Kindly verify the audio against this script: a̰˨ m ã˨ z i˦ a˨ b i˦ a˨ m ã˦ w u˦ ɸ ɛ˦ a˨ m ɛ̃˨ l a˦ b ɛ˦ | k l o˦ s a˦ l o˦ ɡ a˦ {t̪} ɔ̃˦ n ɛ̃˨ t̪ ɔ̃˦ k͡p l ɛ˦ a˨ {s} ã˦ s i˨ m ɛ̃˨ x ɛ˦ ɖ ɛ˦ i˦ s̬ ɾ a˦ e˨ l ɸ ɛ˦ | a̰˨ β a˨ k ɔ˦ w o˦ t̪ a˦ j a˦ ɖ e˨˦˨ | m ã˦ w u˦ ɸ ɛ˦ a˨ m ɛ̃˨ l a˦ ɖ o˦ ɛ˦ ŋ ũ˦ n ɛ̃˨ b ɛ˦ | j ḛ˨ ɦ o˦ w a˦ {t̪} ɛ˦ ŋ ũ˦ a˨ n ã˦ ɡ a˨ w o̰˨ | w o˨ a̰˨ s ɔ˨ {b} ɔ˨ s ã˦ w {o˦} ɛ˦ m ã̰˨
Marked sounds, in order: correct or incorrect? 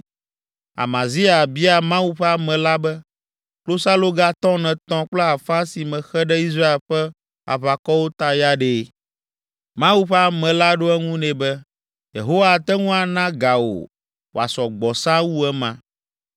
correct, incorrect: f, correct, incorrect: ɡ͡b, incorrect: u˦

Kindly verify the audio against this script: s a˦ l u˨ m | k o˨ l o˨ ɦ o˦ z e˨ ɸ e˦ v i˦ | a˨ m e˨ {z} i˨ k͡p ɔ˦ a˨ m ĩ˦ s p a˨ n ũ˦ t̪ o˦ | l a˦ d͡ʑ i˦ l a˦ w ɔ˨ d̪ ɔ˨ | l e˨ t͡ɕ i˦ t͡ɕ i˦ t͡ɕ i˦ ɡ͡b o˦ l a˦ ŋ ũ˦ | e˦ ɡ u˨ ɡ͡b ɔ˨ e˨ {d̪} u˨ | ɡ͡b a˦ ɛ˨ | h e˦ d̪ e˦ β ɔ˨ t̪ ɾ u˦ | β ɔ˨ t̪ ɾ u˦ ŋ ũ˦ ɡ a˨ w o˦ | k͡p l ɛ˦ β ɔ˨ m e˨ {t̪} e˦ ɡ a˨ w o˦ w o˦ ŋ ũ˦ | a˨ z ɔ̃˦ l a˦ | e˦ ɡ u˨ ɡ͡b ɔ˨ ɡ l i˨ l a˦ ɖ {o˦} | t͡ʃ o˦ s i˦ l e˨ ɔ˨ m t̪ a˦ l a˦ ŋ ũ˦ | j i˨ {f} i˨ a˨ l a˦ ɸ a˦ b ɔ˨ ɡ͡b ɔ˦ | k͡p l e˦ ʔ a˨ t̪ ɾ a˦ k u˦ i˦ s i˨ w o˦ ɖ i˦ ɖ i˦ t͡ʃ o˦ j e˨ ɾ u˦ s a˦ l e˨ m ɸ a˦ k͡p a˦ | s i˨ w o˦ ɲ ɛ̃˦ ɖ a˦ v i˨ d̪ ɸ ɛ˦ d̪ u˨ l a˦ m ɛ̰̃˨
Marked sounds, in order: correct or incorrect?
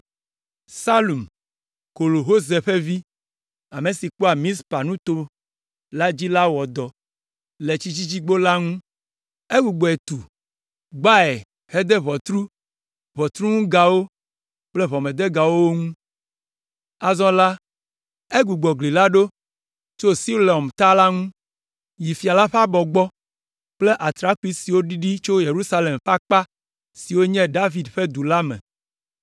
incorrect: s, incorrect: t̪, incorrect: d̪, correct, correct

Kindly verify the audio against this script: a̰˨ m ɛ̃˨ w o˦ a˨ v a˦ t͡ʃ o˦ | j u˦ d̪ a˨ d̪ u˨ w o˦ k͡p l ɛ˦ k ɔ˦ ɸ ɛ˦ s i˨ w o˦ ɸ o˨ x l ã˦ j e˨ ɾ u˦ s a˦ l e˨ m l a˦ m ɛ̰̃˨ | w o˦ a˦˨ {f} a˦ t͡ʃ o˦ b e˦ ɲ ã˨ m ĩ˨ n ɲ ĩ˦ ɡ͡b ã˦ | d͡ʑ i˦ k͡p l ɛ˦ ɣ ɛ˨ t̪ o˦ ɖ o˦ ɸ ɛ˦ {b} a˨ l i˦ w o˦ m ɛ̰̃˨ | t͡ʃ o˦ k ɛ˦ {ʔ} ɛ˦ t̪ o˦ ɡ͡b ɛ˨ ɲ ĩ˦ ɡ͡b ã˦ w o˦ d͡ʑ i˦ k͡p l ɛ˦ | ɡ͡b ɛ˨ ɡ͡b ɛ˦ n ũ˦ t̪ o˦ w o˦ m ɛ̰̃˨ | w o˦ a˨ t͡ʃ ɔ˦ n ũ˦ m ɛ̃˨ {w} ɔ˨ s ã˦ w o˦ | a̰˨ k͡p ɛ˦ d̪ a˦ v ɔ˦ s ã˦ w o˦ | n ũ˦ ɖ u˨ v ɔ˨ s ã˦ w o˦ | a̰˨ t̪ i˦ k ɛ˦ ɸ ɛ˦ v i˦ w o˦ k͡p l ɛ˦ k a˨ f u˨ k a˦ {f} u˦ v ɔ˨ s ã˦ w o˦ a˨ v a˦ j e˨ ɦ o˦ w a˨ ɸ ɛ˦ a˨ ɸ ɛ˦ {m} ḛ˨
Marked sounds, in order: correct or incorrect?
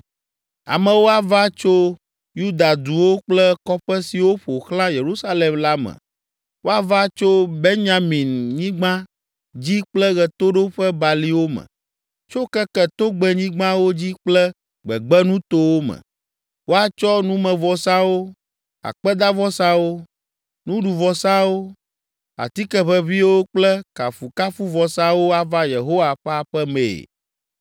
incorrect: v, correct, incorrect: k, incorrect: v, correct, correct

